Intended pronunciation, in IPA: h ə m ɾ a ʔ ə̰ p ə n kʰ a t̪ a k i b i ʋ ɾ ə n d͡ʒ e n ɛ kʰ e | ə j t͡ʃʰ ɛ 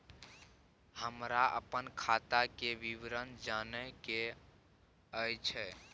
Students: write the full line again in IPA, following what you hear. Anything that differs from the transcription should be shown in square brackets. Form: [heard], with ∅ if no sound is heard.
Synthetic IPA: h ə m ɾ a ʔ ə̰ p ə n kʰ a t̪ a k [e] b i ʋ ɾ ə n d͡ʒ [a] n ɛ [k] e | ə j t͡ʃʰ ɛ